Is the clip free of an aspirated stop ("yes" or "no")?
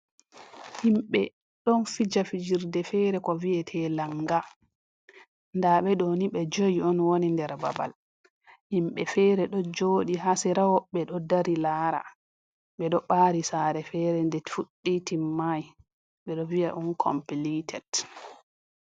no